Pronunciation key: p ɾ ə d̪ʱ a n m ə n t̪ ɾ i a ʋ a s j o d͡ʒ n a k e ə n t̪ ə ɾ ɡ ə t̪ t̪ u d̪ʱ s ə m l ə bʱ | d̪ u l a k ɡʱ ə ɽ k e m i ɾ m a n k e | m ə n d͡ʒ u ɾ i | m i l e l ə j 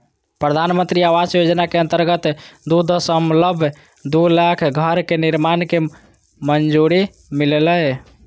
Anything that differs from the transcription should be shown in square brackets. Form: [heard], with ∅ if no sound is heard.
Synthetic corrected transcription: p ɾ ə d̪ʱ a n m ə n t̪ ɾ i a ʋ a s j o d͡ʒ n a k e ə n t̪ ə ɾ ɡ ə t̪ [d̪] u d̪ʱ s ə m l ə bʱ | d̪ u l a [kʰ] ɡʱ ə [ɾ] k e [n] i ɾ m a n k e | m ə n d͡ʒ u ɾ i | m i l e l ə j